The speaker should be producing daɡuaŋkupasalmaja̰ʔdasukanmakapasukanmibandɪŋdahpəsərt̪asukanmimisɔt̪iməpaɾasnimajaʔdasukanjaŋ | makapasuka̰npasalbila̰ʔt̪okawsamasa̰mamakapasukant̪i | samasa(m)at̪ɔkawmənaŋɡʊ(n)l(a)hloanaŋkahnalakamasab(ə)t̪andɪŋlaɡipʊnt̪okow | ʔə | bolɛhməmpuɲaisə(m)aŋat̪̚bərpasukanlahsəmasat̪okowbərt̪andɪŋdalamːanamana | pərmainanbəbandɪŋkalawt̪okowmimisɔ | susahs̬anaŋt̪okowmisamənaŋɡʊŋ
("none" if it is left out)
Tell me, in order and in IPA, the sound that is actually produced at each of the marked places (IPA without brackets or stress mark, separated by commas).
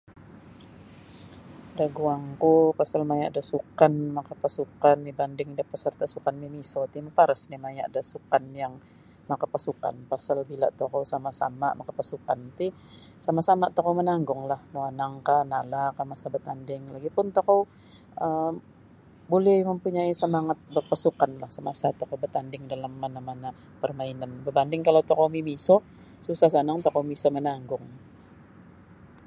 m, ŋ, a, ə, m